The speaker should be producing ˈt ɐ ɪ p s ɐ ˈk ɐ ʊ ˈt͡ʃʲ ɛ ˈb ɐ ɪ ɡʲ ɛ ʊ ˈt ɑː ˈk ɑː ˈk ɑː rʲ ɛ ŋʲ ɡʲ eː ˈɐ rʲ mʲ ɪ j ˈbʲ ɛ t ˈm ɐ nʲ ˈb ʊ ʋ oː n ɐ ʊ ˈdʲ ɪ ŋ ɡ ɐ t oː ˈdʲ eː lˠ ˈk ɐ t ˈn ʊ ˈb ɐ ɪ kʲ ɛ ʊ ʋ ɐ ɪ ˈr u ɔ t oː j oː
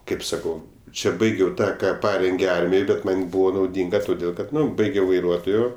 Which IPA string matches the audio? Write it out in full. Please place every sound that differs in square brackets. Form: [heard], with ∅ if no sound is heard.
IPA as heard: [ˈk] ɐ ɪ p s ɐ ˈk ɐ ʊ ˈt͡ʃʲ ɛ ˈb ɐ ɪ ɡʲ ɛ ʊ ˈt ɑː ˈk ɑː [ˈp] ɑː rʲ ɛ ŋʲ ɡʲ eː ˈɐ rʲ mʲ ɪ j ˈbʲ ɛ t ˈm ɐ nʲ ˈb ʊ ʋ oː n ɐ ʊ ˈdʲ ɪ ŋ ɡ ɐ t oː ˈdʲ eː lˠ ˈk ɐ t ˈn ʊ ˈb ɐ ɪ [ɡʲ] ɛ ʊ ʋ ɐ ɪ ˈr u ɔ t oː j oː